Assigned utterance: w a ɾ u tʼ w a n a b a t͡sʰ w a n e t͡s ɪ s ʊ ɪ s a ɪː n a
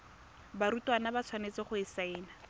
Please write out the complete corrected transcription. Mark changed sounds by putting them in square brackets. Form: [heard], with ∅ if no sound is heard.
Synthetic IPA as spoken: [b] a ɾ u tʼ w a n a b a t͡sʰ w a n e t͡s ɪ [χ] ʊ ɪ s a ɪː n a